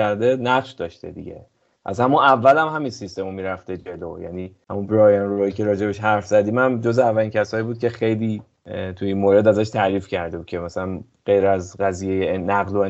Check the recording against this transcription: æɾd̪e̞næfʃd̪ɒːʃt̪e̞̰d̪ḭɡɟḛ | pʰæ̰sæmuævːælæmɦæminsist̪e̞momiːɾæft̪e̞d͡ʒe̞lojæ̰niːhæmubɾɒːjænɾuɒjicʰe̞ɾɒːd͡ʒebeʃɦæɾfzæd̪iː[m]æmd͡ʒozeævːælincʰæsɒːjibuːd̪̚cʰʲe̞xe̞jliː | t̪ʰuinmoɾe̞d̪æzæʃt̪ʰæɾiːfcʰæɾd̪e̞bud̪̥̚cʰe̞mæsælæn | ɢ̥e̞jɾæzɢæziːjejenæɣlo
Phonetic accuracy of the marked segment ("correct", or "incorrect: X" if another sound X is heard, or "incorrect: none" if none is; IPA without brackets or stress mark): correct